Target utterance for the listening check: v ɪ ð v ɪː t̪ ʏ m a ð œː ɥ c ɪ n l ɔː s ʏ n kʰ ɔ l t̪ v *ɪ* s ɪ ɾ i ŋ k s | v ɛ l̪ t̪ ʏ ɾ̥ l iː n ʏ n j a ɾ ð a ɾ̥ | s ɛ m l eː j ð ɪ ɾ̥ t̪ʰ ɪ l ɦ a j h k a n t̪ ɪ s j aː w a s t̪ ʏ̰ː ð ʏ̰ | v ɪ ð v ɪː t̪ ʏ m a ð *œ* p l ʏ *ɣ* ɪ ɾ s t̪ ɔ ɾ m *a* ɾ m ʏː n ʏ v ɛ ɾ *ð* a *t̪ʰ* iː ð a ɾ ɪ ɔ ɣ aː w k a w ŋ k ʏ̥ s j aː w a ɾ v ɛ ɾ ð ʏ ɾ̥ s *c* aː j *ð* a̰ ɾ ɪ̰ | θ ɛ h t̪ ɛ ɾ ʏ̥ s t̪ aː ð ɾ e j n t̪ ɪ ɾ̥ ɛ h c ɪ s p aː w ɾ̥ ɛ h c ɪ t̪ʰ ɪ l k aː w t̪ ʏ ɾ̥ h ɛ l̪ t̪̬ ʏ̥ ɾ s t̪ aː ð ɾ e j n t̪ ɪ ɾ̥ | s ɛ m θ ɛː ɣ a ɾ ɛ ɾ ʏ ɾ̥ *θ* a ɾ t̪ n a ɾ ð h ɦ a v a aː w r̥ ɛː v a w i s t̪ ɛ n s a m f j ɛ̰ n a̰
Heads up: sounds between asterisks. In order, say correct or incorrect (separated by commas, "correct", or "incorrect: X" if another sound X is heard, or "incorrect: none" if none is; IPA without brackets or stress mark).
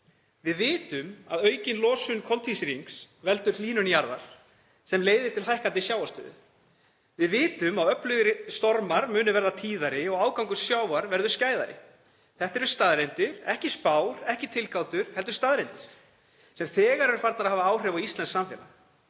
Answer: incorrect: i, correct, correct, correct, correct, correct, correct, correct, incorrect: f